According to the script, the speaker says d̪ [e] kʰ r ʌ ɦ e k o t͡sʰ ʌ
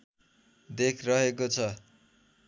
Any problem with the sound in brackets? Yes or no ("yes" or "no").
no